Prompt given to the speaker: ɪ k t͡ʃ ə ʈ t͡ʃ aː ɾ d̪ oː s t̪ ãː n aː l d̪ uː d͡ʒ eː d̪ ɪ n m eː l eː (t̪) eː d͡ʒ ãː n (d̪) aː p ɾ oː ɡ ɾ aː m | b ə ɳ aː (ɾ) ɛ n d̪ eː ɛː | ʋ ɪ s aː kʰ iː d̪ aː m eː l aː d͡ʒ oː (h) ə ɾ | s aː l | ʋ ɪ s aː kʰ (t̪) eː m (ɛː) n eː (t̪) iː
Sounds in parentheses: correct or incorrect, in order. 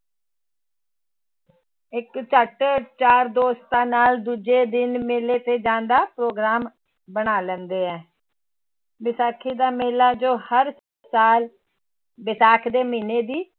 correct, correct, incorrect, correct, incorrect, incorrect, incorrect

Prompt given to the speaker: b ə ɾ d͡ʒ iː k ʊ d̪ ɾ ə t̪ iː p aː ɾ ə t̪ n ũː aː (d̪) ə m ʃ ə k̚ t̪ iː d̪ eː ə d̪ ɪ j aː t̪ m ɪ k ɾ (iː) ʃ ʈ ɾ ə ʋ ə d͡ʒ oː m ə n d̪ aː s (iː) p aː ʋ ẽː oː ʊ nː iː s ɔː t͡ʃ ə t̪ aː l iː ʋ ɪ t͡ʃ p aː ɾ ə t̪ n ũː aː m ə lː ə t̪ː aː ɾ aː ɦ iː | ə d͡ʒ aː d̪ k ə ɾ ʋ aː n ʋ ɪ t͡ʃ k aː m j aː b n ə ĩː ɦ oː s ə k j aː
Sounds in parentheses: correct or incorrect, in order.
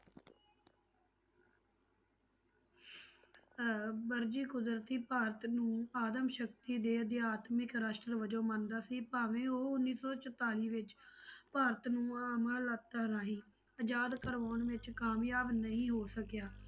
correct, incorrect, correct

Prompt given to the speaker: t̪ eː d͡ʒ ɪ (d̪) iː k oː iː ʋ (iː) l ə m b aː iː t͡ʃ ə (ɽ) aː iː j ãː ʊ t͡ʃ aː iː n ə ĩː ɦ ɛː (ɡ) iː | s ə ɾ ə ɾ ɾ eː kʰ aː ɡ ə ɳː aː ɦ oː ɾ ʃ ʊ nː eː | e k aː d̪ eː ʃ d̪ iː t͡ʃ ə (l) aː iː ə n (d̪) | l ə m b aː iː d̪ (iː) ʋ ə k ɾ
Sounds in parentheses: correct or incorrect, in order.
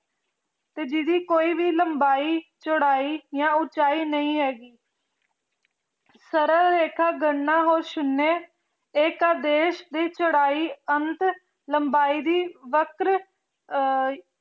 correct, correct, correct, correct, incorrect, incorrect, correct

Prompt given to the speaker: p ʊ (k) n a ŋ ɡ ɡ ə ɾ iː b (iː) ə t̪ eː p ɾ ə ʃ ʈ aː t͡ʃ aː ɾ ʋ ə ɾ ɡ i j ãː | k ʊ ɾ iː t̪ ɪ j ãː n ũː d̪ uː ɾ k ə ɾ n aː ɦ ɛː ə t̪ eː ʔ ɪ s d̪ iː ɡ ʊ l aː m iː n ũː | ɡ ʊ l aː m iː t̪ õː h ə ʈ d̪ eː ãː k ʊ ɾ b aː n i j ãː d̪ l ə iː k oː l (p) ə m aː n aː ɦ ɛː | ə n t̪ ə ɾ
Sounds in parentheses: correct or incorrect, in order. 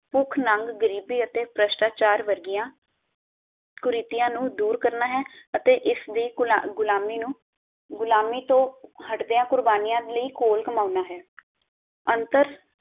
incorrect, correct, incorrect

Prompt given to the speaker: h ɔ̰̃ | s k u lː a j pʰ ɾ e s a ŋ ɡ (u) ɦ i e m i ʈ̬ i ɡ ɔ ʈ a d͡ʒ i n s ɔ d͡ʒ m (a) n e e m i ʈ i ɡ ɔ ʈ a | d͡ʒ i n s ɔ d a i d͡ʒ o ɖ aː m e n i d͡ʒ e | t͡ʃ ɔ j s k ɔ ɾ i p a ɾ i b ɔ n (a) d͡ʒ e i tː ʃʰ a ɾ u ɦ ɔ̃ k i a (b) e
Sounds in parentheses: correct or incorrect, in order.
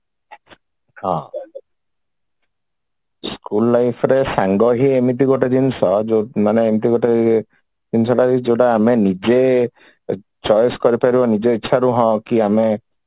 incorrect, correct, incorrect, incorrect

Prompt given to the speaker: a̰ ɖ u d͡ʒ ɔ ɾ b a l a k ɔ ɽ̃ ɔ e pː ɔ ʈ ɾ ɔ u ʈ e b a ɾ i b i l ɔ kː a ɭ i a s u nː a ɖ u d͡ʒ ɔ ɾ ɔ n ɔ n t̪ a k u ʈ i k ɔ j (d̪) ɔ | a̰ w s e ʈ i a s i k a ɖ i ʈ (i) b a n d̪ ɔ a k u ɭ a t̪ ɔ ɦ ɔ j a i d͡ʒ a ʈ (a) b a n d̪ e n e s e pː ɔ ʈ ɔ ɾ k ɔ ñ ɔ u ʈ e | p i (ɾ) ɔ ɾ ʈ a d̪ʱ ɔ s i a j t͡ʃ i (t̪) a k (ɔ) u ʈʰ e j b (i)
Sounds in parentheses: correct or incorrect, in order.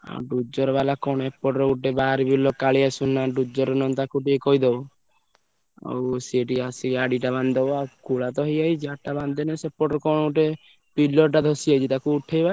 correct, incorrect, correct, incorrect, correct, incorrect, incorrect

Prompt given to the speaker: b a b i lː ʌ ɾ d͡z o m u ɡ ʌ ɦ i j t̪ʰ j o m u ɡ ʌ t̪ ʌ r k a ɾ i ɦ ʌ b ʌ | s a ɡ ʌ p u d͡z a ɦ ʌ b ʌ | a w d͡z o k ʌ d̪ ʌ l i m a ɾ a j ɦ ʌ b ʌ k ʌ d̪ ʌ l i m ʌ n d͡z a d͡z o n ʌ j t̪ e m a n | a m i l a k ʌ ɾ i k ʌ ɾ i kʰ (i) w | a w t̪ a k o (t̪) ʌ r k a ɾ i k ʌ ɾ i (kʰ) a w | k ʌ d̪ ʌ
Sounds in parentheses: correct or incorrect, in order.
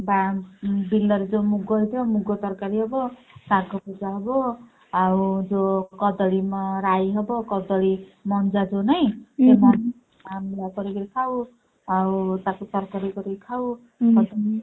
incorrect, correct, correct

